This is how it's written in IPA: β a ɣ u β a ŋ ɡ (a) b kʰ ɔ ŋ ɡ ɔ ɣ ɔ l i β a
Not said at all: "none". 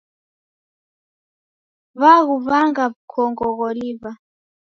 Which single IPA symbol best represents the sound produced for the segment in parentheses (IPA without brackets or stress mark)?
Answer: a